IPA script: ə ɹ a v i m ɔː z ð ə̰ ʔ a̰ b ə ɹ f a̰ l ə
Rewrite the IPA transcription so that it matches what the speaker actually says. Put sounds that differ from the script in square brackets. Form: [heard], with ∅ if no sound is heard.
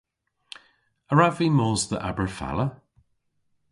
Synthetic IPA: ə ɹ a v i m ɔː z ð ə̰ ʔ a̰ b ə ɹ f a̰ l ə